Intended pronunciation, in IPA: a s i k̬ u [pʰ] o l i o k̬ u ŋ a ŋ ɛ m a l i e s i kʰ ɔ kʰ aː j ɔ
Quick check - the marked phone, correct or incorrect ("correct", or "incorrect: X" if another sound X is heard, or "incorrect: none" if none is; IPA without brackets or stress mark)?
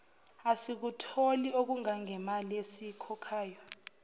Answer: incorrect: tʰ